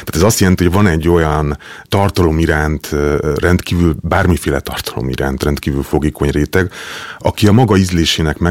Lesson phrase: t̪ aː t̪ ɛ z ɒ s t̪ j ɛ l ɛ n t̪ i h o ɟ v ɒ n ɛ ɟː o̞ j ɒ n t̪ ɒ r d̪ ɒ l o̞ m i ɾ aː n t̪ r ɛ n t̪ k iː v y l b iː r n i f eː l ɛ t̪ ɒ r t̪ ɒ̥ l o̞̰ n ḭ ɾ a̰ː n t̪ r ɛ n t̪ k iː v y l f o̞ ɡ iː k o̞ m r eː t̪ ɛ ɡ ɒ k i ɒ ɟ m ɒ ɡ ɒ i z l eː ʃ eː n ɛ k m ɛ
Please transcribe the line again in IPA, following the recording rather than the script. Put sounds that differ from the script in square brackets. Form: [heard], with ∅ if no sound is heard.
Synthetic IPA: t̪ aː t̪ ɛ z ɒ s t̪ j ɛ l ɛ n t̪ i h o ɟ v ɒ n ɛ ɟː o̞ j ɒ n t̪ ɒ r [t̪] ɒ l o̞ m i ɾ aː n t̪ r ɛ n t̪ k iː v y l b [aː] r [m] i f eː l ɛ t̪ ɒ r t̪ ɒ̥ l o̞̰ [m] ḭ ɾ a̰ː n t̪ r ɛ n t̪ k iː v y l f o̞ ɡ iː k o̞ [ɲ] r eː t̪ ɛ ɡ ɒ k i ɒ [∅] m ɒ ɡ ɒ i z l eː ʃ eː n ɛ k m ɛ